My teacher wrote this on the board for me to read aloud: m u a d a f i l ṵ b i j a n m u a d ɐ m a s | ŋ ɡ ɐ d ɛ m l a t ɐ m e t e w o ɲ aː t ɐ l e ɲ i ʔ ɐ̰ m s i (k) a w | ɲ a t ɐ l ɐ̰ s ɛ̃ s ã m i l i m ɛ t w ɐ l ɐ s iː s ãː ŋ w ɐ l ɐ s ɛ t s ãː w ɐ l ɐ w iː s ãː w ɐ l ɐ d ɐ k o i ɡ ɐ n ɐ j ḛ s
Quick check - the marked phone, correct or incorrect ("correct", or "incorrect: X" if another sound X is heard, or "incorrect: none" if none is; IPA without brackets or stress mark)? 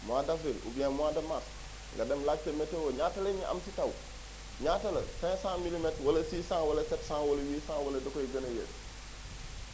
incorrect: t